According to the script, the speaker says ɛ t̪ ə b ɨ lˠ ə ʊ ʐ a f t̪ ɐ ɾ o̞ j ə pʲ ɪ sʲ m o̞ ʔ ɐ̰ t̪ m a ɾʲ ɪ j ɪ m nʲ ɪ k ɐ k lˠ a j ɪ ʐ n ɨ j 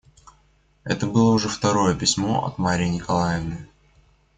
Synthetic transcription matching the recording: ɛ t̪ ə b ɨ lˠ ə ʊ ʐ ɛ f t̪ ɐ ɾ o̞ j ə pʲ ɪ sʲ m o̞ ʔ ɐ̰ t̪ m a ɾʲ ɪ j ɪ nʲ ɪ k ɐ lˠ a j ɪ v n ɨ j